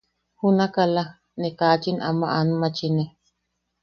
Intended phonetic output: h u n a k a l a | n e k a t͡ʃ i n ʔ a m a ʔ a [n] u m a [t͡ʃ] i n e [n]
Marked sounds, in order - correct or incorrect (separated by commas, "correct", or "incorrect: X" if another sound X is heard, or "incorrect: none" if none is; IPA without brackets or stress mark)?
correct, correct, incorrect: none